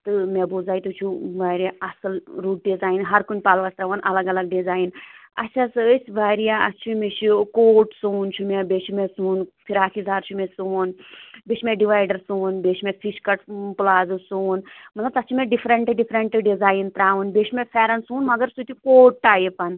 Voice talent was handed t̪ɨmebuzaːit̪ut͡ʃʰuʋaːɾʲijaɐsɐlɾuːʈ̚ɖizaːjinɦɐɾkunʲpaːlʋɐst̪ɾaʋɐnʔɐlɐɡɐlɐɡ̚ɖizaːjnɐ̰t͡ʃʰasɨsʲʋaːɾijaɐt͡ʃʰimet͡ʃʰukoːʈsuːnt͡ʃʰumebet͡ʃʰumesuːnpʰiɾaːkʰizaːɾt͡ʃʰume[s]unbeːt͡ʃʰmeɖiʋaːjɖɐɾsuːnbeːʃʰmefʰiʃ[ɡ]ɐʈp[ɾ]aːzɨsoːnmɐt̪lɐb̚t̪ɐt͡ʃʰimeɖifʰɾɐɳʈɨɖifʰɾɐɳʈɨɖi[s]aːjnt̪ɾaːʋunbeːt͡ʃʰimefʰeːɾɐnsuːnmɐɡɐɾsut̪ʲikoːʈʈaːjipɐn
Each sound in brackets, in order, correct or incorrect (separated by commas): correct, incorrect, incorrect, incorrect